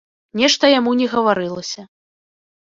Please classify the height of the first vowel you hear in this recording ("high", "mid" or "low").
mid